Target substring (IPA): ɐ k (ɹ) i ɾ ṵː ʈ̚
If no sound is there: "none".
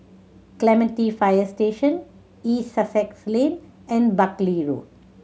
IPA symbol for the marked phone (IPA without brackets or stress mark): l